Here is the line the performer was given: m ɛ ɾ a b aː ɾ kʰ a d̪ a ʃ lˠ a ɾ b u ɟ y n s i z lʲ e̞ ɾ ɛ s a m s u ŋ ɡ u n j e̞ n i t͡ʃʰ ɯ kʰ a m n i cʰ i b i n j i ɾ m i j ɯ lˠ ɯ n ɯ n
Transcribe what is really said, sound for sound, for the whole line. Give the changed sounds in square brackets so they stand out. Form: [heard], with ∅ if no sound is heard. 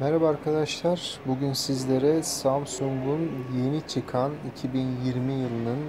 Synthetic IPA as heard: m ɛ ɾ a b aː ɾ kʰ a d̪ a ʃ lˠ a ɾ b u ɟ y n s i z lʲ e̞ ɾ ɛ s a m s u ŋ ɡ u n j e̞ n i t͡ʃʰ ɯ kʰ a [∅] n i cʰ i b i n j i ɾ m i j ɯ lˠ ɯ n ɯ n